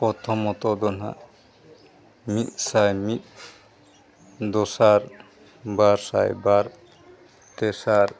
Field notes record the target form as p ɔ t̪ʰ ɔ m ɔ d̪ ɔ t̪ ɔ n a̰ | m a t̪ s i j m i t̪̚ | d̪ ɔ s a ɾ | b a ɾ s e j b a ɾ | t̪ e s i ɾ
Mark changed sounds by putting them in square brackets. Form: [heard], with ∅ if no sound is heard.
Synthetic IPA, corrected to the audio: p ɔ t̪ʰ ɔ m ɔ [t̪] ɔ [d̪] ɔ n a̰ | m [i] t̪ s [a] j m i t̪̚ | d̪ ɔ s a ɾ | b a ɾ s [a] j b a ɾ | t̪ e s [a] ɾ